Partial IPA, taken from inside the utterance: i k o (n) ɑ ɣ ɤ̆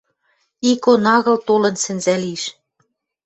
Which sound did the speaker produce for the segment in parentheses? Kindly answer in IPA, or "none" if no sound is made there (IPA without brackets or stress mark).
n